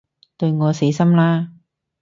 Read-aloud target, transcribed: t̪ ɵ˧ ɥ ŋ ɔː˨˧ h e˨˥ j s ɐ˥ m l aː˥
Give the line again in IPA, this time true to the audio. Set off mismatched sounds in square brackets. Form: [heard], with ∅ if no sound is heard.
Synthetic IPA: t̪ ɵ˧ ɥ ŋ ɔː˨˧ [s] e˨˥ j s ɐ˥ m l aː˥